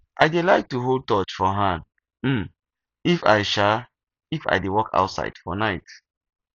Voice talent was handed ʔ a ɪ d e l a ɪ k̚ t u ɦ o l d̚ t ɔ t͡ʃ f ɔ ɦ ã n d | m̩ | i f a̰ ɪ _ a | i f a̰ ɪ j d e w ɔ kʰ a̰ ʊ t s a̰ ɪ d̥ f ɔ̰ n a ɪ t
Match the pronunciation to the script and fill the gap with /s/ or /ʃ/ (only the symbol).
ʃ